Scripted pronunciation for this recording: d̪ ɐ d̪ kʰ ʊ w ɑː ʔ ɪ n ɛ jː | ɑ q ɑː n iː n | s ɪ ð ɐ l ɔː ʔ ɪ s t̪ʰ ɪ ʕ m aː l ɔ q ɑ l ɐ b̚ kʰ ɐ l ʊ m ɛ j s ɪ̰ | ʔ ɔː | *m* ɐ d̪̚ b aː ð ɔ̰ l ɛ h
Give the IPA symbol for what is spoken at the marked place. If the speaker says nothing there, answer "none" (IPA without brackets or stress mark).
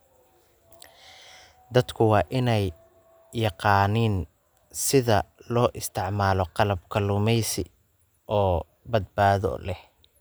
b